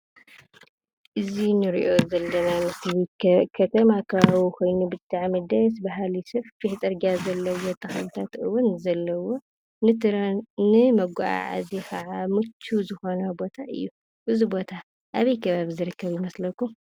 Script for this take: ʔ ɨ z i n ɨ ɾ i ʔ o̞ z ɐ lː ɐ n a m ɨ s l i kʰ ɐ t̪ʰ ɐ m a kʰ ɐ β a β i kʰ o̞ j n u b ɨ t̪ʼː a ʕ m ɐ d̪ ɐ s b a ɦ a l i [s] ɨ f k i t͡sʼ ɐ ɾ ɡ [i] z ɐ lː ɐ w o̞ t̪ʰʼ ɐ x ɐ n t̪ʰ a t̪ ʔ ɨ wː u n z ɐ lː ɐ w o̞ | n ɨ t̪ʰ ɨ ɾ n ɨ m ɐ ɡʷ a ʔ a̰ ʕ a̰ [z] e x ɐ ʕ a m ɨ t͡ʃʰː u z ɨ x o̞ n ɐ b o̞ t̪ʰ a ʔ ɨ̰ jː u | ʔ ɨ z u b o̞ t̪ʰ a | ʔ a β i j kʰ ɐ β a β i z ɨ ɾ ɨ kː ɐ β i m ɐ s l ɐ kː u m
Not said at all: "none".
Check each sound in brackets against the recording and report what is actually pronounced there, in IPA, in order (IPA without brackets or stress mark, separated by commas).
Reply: s, a, z